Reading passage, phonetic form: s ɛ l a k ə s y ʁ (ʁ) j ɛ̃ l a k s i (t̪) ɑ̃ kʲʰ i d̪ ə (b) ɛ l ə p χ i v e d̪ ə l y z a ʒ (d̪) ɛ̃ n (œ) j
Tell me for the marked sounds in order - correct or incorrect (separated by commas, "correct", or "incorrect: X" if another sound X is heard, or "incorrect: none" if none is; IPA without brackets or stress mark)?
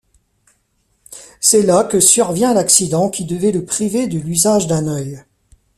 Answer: incorrect: v, incorrect: d̪, incorrect: v, correct, correct